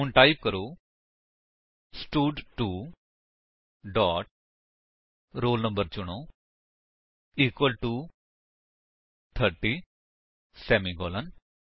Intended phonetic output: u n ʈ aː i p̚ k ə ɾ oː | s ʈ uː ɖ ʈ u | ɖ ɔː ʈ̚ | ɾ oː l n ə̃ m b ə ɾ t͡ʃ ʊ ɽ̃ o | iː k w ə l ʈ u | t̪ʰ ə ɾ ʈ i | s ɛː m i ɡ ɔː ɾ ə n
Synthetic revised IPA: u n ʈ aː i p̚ k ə ɾ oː | s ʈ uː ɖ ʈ u | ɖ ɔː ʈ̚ | ɾ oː l n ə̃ m b ə ɾ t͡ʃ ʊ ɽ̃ o | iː k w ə l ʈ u | t̪ʰ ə ɾ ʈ i | s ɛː m i ɡ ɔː l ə n